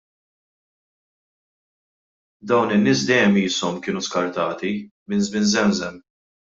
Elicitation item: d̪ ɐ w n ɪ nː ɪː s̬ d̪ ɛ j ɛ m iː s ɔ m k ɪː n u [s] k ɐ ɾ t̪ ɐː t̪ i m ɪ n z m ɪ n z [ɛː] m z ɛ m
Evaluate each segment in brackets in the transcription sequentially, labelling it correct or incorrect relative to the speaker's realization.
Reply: correct, incorrect

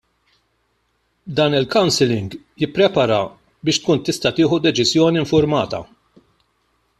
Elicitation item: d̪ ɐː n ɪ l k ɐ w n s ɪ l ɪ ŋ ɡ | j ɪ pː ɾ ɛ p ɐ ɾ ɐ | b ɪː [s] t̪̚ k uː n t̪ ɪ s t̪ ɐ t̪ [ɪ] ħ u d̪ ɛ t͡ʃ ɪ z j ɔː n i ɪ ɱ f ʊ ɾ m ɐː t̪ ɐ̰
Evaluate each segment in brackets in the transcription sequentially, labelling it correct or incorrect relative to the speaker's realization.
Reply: incorrect, incorrect

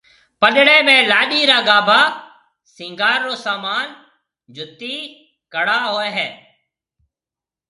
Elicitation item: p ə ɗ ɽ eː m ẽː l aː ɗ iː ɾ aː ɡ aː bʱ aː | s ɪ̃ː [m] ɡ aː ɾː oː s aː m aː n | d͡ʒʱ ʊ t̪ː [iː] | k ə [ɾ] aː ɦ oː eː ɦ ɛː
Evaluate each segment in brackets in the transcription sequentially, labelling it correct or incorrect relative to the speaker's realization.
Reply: incorrect, correct, incorrect

